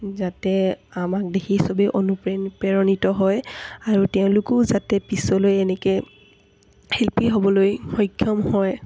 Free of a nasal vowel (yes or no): no